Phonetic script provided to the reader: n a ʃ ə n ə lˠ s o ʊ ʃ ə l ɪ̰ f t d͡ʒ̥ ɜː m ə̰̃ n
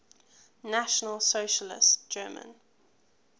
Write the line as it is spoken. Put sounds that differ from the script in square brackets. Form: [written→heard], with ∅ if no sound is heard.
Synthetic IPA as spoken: n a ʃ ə n ə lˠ s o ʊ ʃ ə l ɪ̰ [f→s] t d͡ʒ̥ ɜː m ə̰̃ n

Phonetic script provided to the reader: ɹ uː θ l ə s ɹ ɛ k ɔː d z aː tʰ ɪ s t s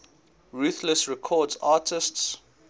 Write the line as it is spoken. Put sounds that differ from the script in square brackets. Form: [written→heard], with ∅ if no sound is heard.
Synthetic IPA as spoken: ɹ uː θ l ə s ɹ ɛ [k→kʰ] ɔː d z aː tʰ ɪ s t s

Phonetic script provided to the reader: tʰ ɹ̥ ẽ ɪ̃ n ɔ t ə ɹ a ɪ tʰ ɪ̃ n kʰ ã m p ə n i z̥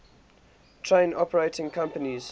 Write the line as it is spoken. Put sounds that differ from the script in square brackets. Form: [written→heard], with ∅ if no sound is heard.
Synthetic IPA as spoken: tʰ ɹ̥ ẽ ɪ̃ n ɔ [t→p] ə ɹ [a→e] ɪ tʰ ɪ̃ [n→ŋ] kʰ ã m p ə n i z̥

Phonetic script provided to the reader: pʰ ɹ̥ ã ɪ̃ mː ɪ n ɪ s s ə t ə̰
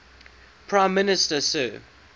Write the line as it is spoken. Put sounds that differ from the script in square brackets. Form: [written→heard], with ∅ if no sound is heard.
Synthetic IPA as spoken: pʰ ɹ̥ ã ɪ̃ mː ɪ n ɪ s [s→t] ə [t→s] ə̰

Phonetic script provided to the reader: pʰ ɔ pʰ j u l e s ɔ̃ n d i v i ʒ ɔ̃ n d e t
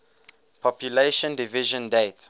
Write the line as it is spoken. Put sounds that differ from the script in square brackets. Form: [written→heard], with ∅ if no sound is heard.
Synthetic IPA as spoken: pʰ ɔ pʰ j u l e [s→ʃ] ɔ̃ n d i v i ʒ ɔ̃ n d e t

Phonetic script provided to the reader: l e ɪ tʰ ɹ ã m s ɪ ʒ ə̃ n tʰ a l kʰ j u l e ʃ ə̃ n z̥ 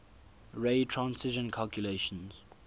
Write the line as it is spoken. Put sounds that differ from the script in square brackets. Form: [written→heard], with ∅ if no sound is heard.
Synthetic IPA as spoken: [l→ɹ] e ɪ tʰ ɹ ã [m→n] s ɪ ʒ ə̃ n [tʰ→kʰ] a l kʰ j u l e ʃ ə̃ n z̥

